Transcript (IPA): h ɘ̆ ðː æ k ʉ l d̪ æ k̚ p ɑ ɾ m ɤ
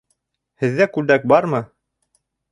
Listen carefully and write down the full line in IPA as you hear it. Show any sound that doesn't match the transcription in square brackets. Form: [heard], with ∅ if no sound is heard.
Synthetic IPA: h ɘ̆ ðː æ k ʉ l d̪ æ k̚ [b] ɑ ɾ m ɤ